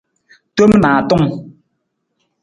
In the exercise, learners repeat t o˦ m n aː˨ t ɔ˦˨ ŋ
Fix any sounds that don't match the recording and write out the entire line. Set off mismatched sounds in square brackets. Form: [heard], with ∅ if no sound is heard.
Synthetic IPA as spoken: t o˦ m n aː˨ t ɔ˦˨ ŋ